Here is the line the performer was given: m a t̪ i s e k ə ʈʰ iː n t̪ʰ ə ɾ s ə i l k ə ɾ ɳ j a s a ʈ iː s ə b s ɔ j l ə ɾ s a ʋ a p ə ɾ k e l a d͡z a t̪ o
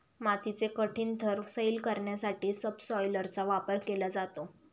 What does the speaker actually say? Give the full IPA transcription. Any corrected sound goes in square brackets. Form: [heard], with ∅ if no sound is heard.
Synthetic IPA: m a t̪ i [t͡s] e k ə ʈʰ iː n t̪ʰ ə ɾ s ə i l k ə ɾ ɳ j a s a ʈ iː s ə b s ɔ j l ə ɾ [t͡s] a ʋ a p ə ɾ k e l a d͡z a t̪ o